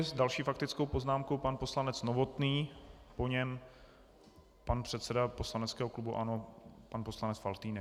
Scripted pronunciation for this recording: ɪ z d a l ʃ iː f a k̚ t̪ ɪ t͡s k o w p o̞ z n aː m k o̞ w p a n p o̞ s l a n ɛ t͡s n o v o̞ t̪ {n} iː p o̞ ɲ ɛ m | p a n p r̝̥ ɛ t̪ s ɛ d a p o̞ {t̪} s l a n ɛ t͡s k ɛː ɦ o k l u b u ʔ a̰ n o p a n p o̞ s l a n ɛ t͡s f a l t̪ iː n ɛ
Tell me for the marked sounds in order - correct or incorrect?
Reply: correct, incorrect

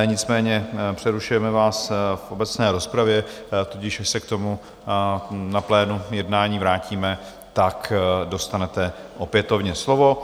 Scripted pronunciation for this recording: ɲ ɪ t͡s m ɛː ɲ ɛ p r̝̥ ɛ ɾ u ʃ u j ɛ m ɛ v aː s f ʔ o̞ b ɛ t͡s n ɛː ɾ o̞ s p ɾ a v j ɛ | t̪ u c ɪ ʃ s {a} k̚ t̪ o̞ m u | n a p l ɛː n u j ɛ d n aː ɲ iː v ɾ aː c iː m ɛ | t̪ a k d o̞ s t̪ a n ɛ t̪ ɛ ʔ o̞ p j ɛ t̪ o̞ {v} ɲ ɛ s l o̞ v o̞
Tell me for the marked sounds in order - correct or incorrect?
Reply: incorrect, correct

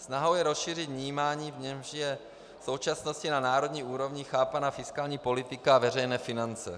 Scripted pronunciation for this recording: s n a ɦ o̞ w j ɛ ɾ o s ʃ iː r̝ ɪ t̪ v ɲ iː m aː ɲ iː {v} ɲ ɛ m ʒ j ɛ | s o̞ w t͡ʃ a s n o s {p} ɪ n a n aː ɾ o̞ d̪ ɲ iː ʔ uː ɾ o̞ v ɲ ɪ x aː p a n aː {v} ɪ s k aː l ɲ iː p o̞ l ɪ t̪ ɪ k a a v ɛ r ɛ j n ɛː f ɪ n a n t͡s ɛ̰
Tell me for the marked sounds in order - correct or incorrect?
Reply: correct, incorrect, incorrect

